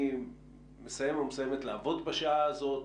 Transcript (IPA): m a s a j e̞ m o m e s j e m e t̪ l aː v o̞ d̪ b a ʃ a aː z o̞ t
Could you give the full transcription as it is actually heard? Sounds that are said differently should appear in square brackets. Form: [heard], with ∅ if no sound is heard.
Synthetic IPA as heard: m [e] s a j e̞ m o m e s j e m e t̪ l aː v o̞ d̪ b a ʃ a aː z o̞ t